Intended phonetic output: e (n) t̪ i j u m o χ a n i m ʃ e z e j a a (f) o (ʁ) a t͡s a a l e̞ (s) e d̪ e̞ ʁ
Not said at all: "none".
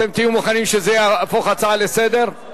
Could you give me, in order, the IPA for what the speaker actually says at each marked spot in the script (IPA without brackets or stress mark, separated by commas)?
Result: m, f, χ, s